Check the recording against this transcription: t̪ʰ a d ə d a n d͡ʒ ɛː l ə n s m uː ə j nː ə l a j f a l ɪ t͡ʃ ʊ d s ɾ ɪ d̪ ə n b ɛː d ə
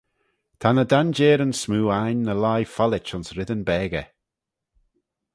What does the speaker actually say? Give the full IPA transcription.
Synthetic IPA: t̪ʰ a n ə d a n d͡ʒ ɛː ɾ ə n s m uː a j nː ə l a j f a l ɪ t͡ʃ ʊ n s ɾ ɪ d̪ ə n b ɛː ɡ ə